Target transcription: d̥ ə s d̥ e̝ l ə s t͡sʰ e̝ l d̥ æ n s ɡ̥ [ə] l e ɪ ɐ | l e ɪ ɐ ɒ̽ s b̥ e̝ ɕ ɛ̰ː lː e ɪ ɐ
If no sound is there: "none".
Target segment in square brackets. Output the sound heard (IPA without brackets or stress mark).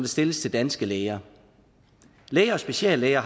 ə